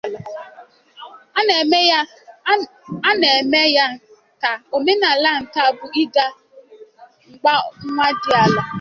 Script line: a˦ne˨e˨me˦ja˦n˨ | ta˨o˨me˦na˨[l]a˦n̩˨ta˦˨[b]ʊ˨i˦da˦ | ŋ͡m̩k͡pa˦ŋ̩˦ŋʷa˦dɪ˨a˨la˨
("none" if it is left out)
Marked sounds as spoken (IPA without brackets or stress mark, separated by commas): l, b